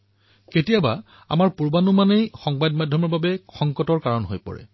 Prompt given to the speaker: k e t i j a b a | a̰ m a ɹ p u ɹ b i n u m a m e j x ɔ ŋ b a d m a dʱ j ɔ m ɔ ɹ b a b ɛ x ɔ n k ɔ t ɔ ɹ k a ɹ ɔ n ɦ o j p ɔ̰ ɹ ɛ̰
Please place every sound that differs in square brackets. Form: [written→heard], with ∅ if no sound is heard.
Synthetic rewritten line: k e t i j a b a | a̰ m a ɹ p u ɹ b [i→a] n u m a [m→n] e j x ɔ ŋ b a d m a dʱ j ɔ m ɔ ɹ b a b ɛ x ɔ [n→ŋ] k ɔ t ɔ ɹ k a ɹ ɔ n ɦ o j p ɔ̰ ɹ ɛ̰

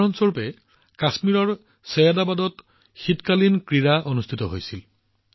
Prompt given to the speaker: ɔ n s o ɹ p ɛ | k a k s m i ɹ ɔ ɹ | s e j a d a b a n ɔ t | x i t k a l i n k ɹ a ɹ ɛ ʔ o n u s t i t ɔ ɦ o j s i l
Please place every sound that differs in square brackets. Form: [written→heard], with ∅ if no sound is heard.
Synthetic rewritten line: ɔ n s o ɹ p ɛ | k a [k→∅] s m i ɹ ɔ ɹ | s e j a d a b a [n→d] ɔ t | x i t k a l i n k ɹ [a→i] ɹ [ɛ→a] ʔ o n u s [t→tʰ] i t ɔ ɦ o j s i l

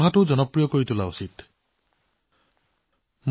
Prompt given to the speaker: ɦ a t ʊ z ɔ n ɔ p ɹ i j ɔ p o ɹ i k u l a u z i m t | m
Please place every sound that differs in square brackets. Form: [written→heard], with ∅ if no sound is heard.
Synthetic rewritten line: ɦ a t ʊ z ɔ n ɔ p ɹ i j ɔ [p→k] o ɹ i [k→t] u l a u [z→s] i [m→∅] t | m

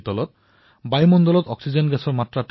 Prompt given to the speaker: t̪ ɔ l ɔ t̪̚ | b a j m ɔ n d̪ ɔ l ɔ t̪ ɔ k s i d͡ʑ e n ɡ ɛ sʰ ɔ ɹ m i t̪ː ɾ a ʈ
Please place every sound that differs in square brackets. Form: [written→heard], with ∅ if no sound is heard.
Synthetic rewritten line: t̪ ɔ l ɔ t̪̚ | b a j m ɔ n d̪ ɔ l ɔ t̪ ɔ k s i d͡ʑ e n ɡ ɛ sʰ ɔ [ɹ→ɾ] m [i→a] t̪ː ɾ a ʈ

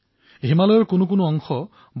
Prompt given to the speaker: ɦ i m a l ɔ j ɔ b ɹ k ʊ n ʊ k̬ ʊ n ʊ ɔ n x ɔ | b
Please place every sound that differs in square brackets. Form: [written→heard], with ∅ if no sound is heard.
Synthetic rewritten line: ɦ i m a l ɔ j ɔ [b→∅] ɹ k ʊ n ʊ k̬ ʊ n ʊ ɔ [n→ŋ] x ɔ | b

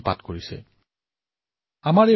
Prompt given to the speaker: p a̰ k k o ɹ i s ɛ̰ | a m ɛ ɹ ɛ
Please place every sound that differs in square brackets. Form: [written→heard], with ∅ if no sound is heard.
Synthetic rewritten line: p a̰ [k→t] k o ɹ i s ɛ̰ | a m [ɛ→a] ɹ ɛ

